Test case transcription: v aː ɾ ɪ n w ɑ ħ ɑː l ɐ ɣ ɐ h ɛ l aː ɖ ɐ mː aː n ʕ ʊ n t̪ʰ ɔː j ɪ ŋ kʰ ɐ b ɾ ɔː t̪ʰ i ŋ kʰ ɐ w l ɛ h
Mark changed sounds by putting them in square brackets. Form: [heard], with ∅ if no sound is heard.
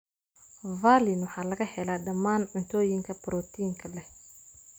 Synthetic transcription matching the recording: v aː [l] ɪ n w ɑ ħ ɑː l ɐ ɣ ɐ h ɛ l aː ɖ ɐ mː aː n ʕ ʊ n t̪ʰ ɔː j ɪ ŋ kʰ ɐ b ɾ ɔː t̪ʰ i ŋ kʰ ɐ [∅] l ɛ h